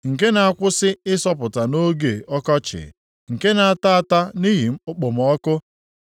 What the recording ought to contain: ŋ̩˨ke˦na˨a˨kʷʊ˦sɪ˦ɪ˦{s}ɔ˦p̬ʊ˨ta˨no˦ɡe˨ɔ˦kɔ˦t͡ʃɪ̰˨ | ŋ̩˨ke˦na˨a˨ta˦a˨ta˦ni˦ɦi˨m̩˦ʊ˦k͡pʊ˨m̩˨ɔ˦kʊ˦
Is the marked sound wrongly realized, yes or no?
no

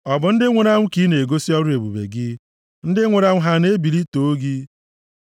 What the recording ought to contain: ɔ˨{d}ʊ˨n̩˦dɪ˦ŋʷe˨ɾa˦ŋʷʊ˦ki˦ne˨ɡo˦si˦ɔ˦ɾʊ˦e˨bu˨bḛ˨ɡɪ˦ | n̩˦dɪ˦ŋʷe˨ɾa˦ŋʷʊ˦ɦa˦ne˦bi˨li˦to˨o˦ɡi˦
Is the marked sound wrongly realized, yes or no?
yes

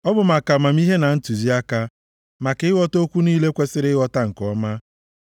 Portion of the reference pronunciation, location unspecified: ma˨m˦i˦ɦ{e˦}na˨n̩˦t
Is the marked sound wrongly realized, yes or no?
no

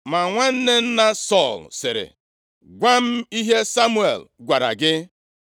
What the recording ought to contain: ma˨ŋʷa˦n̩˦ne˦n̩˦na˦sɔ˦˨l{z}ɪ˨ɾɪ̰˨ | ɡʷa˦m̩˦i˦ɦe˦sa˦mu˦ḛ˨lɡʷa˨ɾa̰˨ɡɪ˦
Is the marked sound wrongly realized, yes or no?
yes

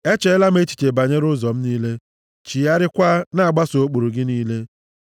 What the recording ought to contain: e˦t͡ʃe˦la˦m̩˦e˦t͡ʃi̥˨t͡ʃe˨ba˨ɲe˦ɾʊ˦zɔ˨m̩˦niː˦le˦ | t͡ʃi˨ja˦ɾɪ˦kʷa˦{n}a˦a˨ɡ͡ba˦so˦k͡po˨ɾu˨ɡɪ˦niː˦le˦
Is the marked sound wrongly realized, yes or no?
no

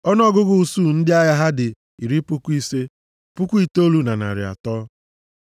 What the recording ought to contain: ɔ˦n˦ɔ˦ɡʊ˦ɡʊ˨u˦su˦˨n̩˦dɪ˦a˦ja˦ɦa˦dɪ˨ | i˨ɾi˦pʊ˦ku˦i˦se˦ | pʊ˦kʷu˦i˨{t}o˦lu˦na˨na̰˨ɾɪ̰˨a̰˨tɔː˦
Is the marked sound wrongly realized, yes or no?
no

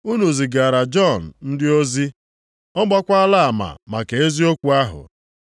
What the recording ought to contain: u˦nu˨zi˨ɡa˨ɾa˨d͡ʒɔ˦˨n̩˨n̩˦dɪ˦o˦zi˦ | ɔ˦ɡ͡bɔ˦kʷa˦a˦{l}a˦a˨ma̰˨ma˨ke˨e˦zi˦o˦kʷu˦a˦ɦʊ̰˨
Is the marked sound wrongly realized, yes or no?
no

